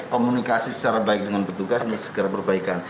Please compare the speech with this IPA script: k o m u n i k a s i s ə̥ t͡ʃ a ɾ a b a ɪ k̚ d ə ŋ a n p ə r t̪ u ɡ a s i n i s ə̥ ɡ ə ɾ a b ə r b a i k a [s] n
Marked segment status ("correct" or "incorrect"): incorrect